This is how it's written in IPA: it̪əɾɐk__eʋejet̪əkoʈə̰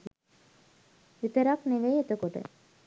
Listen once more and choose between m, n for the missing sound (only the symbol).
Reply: n